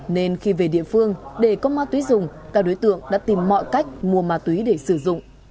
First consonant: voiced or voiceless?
voiced